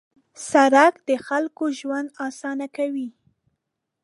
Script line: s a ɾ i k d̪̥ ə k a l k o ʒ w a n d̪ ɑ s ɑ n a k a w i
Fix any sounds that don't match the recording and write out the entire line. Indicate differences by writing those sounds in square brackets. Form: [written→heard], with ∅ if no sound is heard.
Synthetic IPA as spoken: s a ɾ [i→a] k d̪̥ ə [k→x] a l k o ʒ w a n d̪ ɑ s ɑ n a k a w i